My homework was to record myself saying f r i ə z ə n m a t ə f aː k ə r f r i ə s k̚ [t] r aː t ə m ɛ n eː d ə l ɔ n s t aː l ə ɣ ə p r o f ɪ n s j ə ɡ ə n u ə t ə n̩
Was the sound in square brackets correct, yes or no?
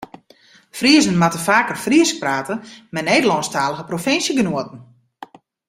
no